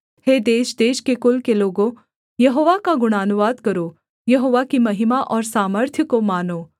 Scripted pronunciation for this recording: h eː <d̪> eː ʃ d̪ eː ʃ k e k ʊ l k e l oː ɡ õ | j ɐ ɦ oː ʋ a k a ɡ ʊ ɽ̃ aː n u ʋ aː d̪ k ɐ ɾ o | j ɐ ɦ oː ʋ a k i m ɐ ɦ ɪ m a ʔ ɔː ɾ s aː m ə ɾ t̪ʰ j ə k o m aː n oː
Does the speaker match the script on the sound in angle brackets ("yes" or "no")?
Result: yes